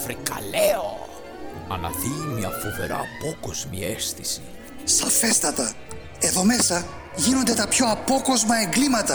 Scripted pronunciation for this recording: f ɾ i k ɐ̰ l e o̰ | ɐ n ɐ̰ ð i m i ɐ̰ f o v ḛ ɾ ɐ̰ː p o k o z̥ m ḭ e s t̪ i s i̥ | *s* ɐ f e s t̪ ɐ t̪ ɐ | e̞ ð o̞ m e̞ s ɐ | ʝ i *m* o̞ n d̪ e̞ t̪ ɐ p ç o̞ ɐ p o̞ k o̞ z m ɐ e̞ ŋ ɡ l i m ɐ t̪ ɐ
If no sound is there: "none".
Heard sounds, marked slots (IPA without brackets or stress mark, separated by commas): s, n